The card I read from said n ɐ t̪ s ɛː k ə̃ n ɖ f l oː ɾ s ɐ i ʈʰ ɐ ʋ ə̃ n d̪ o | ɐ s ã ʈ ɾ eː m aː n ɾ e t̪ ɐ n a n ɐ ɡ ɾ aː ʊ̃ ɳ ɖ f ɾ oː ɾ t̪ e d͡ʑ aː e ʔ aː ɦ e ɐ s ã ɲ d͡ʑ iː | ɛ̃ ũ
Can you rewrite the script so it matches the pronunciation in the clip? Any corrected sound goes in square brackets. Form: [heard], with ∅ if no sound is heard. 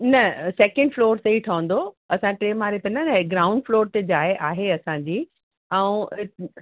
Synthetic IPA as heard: n ɐ [∅] s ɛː k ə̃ [ɳ] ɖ f l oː ɾ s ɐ i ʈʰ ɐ ʋ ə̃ n d̪ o | ɐ s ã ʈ ɾ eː m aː [∅] ɾ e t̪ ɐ n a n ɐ ɡ ɾ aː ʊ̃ ɳ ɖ f [l] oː ɾ t̪ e d͡ʑ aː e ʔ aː ɦ e ɐ s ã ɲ d͡ʑ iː | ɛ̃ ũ